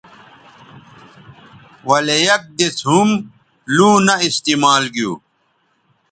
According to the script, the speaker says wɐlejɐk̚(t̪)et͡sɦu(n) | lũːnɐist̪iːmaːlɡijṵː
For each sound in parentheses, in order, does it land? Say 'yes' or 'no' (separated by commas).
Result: no, no